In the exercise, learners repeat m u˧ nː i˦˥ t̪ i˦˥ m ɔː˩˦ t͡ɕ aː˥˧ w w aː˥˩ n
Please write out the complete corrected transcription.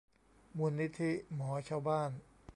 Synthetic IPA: m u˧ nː i˦˥ t̪ʰ i˦˥ m ɔː˩˦ t͡ɕʰ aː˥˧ w b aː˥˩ n